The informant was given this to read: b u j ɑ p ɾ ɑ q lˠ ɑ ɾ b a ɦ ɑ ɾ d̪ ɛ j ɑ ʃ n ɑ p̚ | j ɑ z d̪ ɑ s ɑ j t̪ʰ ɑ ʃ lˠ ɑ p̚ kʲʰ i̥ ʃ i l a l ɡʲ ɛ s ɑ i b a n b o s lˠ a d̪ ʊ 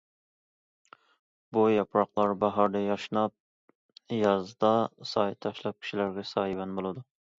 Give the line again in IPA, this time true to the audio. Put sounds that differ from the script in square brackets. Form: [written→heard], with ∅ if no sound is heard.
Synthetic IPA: b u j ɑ p ɾ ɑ q lˠ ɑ ɾ b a ɦ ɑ ɾ d̪ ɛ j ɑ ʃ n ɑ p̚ | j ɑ z d̪ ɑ s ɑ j t̪ʰ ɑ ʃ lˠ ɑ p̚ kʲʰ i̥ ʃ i l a [l→ɾ] ɡʲ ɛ s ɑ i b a n b o [s→∅] lˠ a d̪ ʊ

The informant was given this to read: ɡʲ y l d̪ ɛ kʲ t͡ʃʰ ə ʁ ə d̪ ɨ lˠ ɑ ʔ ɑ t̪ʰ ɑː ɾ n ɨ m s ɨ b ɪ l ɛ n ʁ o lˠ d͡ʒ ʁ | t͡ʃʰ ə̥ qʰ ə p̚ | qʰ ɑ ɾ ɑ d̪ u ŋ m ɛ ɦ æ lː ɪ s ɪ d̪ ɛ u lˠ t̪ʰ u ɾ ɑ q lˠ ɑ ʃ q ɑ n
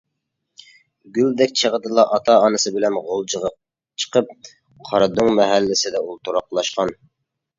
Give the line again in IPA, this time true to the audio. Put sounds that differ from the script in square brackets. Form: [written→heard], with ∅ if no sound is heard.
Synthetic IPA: ɡʲ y l d̪ ɛ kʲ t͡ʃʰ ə ʁ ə d̪ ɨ lˠ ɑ ʔ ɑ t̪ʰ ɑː [ɾ→∅] n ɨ [m→∅] s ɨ b ɪ l ɛ n ʁ o lˠ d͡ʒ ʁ | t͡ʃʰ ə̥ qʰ ə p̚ | qʰ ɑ ɾ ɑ d̪ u ŋ m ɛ ɦ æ lː ɪ s ɪ d̪ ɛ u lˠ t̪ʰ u ɾ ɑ q lˠ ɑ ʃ q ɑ n

